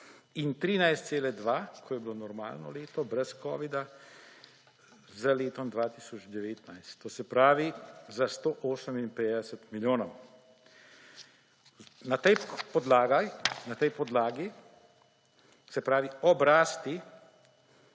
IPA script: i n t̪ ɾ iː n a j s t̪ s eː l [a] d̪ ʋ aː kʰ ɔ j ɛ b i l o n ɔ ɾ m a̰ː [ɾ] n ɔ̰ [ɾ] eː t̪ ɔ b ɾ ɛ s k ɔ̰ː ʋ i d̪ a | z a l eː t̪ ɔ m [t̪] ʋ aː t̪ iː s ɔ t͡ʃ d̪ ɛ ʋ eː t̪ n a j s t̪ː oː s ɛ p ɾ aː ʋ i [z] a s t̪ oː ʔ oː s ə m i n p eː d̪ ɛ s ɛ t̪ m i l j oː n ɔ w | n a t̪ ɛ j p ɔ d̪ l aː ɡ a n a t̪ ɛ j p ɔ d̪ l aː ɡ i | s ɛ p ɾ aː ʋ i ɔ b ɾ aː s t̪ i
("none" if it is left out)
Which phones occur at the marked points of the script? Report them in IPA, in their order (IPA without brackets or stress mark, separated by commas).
ɛ, l, l, d̪, z